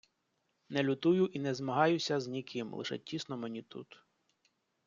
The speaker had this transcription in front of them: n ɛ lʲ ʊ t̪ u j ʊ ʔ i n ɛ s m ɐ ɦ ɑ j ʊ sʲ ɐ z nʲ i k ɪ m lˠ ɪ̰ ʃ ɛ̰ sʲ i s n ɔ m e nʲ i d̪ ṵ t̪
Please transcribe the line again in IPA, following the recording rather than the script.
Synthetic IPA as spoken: n ɛ lʲ ʊ t̪ u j ʊ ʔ i n ɛ z m ɐ ɦ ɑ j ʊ sʲ ɐ z nʲ i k ɪ m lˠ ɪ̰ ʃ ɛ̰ tʲ i s n ɔ m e nʲ i t̪ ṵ t̪